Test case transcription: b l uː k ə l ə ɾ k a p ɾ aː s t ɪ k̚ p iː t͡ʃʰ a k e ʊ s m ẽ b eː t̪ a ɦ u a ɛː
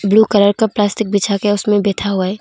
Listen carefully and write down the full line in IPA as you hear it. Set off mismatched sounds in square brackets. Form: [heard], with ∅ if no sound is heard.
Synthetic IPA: b l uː k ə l ə ɾ k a p [l] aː s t ɪ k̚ [b] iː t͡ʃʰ a k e ʊ s m ẽ b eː [t̪ʰ] a ɦ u a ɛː